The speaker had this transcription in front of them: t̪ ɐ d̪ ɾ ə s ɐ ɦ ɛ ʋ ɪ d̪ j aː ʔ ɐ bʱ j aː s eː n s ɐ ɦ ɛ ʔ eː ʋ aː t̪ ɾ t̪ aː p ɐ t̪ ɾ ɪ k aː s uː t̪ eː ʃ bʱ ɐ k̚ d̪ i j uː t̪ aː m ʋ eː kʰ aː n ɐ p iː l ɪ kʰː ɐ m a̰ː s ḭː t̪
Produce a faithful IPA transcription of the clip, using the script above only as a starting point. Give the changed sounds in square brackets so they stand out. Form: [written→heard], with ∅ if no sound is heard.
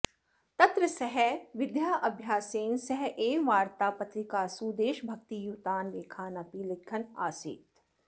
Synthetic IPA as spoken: t̪ ɐ [d̪→t̪] ɾ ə s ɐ ɦ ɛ ʋ ɪ d̪ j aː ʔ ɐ bʱ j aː s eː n s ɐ ɦ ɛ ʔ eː ʋ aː [t̪→∅] ɾ t̪ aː p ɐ t̪ ɾ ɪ k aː s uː [t̪→d̪] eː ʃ bʱ ɐ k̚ [d̪→t̪] i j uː t̪ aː [m→n] ʋ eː kʰ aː n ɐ p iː l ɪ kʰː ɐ [m→n] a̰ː s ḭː t̪